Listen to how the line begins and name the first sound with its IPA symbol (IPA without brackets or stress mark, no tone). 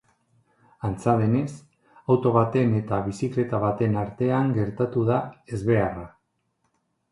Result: a